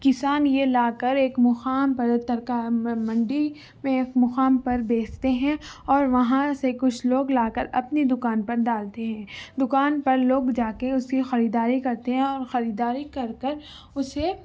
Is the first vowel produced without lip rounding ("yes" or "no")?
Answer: yes